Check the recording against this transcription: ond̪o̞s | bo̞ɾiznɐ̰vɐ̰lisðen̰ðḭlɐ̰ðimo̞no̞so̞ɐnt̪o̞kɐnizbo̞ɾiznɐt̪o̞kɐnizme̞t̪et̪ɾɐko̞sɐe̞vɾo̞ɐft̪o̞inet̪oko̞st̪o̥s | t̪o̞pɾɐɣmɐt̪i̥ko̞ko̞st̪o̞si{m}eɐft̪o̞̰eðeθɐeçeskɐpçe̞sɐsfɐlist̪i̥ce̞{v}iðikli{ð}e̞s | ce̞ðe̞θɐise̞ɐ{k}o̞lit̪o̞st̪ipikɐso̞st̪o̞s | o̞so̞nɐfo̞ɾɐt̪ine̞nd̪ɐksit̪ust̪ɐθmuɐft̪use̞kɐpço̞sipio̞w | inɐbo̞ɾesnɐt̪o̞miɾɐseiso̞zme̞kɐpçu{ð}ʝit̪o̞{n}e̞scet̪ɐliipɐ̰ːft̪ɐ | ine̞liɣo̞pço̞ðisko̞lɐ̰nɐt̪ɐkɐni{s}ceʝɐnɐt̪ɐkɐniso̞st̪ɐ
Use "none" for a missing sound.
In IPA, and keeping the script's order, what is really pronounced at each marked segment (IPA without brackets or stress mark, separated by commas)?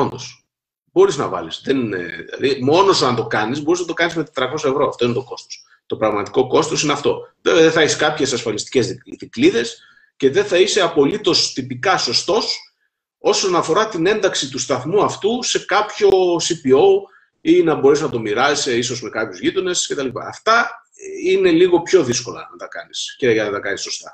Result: n, z, ð, p, z, n, s